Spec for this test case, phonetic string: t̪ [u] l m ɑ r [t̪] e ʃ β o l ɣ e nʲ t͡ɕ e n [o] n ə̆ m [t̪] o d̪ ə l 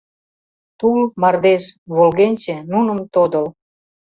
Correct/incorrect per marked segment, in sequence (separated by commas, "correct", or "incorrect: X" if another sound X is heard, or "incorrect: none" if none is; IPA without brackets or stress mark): correct, incorrect: d̪, incorrect: u, correct